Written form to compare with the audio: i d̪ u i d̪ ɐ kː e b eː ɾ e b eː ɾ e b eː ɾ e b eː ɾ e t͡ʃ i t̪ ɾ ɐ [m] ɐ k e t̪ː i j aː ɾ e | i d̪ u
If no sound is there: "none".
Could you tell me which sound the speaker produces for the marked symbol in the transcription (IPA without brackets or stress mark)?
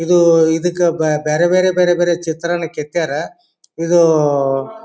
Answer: n